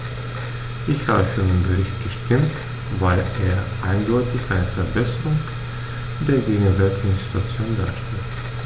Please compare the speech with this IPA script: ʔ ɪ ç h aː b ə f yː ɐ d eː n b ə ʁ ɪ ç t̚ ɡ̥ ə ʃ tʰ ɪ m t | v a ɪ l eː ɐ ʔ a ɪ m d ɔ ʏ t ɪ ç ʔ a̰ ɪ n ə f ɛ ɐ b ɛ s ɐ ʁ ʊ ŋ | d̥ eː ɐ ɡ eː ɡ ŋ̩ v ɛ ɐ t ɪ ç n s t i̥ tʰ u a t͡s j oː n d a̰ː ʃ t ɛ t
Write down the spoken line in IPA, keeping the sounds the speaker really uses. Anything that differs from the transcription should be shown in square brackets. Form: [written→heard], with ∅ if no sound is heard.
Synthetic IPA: ʔ ɪ ç h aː b ə f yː ɐ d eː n b ə ʁ ɪ ç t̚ ɡ̥ ə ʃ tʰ ɪ m t | v a ɪ l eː ɐ ʔ a ɪ [m→n] d ɔ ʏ t ɪ ç ʔ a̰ ɪ n ə f ɛ ɐ b ɛ s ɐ ʁ ʊ ŋ | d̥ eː ɐ ɡ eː ɡ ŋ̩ v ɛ ɐ t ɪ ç n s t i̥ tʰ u a t͡s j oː n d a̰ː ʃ t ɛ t